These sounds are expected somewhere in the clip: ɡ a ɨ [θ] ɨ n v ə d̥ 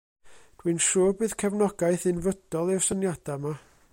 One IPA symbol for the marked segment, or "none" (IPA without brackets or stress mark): θ